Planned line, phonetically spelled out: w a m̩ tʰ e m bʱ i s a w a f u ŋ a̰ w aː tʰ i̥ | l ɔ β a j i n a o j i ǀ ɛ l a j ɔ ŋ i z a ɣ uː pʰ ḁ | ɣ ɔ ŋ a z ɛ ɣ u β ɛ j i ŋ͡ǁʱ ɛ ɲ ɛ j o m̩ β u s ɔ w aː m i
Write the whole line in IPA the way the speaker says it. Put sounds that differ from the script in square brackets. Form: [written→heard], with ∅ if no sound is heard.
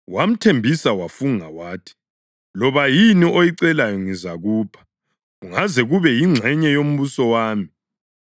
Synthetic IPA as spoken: w a m̩ tʰ e m bʱ i s a w a f u ŋ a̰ w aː tʰ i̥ | l ɔ β a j i n [a→i] o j i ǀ ɛ l a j ɔ ŋ i z a ɣ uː pʰ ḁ | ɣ [ɔ→u] ŋ a z ɛ ɣ u β ɛ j i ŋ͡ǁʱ ɛ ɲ ɛ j o m̩ β u s ɔ w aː m i

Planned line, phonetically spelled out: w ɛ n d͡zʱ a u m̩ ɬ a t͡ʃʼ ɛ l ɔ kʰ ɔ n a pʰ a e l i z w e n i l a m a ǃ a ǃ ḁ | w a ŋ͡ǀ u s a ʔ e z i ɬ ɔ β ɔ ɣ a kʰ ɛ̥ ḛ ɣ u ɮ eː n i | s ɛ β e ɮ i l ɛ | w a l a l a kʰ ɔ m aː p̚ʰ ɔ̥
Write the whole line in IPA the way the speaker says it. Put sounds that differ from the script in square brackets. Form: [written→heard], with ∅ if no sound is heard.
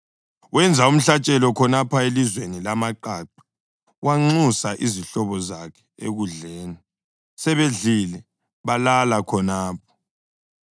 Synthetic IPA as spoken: w ɛ n d͡zʱ a u m̩ ɬ a t͡ʃʼ ɛ l ɔ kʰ ɔ n a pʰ a e l i z w e n i l a m a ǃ a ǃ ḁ | w a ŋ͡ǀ u s a ʔ [e→i] z i ɬ ɔ β ɔ [ɣ→z] a kʰ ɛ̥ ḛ ɣ u ɮ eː n i | s ɛ β e ɮ i l ɛ | [w→β] a l a l a kʰ ɔ [m→n] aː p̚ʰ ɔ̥

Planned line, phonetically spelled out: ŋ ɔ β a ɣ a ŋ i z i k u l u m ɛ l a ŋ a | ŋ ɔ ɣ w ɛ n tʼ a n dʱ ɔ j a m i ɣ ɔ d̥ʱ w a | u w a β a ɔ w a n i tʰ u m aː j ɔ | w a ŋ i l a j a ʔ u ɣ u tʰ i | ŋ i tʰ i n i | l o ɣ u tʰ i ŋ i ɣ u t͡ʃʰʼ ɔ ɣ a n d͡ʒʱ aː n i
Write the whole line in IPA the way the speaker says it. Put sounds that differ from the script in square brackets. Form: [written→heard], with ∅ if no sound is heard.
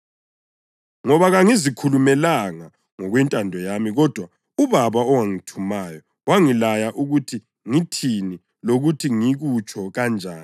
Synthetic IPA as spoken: ŋ ɔ β a ɣ a ŋ i z i [k→kʰ] u l u m ɛ l a ŋ a | ŋ ɔ ɣ w ɛ n tʼ a n dʱ ɔ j a m i ɣ ɔ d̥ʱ w a | u [w→β] a β a ɔ w a [n→ŋ] i tʰ u m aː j ɔ | w a ŋ i l a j a ʔ u ɣ u tʰ i | ŋ i tʰ i n i | l o ɣ u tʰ i ŋ i ɣ u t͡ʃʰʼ ɔ ɣ a n d͡ʒʱ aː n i

